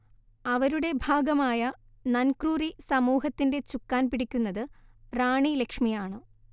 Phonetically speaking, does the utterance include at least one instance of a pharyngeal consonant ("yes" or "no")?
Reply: no